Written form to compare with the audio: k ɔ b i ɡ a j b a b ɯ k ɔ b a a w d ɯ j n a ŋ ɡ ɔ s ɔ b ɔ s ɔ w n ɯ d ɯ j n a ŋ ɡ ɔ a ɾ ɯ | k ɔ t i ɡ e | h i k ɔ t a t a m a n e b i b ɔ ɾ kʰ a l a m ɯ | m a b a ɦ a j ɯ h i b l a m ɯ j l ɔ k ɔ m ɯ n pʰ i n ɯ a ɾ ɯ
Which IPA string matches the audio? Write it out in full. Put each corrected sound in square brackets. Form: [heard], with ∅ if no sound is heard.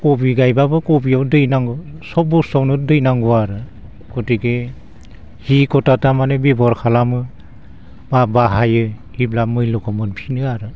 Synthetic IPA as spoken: k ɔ b i ɡ a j b a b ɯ k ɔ b [i] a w d ɯ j n a ŋ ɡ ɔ s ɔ b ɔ s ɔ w n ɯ d ɯ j n a ŋ ɡ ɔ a ɾ ɯ | k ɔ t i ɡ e | h i k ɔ t a t a m a n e b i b ɔ ɾ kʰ a l a m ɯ | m a b a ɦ a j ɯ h i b l a m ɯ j l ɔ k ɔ m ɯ n pʰ i n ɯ a ɾ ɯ